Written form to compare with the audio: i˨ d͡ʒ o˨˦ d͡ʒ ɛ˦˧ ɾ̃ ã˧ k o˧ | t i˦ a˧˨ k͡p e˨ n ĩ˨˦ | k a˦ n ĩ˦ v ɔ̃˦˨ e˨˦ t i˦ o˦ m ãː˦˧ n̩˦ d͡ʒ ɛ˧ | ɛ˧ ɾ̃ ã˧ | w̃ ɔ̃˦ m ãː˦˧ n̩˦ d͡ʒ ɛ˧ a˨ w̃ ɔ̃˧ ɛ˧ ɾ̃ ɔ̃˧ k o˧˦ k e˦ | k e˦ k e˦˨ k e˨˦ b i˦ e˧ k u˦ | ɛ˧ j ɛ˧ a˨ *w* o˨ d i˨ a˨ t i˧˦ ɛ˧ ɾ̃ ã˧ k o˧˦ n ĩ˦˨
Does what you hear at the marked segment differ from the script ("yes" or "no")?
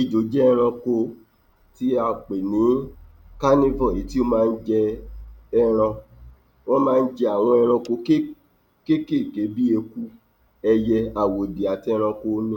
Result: no